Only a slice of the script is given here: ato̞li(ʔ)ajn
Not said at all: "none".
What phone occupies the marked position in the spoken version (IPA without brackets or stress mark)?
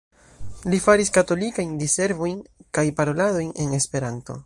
k